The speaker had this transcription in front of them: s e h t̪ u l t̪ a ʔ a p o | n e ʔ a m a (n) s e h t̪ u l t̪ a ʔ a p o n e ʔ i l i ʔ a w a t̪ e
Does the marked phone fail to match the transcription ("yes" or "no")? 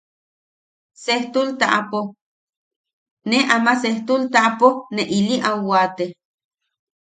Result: yes